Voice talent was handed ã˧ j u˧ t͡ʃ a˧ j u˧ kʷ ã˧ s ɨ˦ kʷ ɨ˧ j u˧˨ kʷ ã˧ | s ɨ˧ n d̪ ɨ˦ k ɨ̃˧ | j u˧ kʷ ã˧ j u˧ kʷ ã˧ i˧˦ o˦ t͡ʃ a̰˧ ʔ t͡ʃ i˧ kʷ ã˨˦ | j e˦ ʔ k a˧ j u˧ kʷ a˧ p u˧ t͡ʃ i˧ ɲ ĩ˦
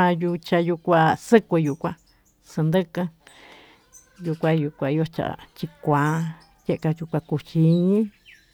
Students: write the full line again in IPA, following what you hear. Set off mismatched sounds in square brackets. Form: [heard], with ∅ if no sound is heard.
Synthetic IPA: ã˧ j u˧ t͡ʃ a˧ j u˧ kʷ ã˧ s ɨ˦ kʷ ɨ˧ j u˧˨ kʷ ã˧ | s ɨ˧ n d̪ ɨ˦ k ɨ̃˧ | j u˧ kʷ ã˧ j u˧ kʷ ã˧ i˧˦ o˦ t͡ʃ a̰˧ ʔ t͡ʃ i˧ kʷ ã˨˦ | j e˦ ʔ k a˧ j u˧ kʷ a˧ [k] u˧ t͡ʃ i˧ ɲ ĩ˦